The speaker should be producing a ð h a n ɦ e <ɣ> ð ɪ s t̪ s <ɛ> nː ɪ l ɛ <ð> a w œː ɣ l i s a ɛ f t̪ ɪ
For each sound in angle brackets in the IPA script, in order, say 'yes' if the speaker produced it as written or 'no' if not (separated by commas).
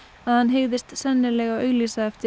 yes, yes, no